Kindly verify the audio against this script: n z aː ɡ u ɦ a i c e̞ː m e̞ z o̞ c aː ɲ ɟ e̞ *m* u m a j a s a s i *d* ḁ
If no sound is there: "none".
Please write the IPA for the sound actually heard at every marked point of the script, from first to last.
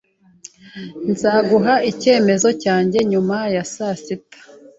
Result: ɲ, t

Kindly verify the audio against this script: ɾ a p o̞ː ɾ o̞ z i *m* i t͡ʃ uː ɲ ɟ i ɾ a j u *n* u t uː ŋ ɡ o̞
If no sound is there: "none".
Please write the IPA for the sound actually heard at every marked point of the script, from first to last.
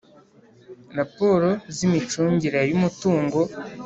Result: m, m

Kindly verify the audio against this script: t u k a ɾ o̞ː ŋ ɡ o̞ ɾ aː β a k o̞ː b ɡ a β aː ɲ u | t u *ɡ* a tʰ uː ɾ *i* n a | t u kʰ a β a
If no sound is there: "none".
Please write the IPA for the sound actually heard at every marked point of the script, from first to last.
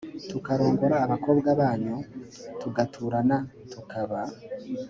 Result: ɡ, a

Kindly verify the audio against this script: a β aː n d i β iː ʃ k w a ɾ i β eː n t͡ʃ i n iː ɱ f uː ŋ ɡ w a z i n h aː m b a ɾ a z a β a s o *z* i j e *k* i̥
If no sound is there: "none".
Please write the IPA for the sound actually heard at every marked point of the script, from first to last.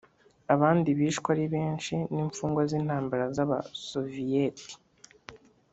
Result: v, t

